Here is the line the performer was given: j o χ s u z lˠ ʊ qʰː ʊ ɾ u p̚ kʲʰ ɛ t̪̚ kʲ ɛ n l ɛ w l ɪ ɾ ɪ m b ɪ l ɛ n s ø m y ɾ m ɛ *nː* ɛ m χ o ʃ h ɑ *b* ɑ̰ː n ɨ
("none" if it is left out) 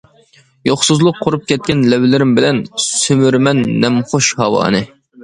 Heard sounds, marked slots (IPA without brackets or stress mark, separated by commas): nː, w